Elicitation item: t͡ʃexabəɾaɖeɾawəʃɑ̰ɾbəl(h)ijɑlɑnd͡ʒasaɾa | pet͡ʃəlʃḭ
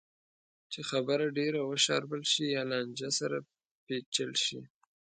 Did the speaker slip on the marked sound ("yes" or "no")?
yes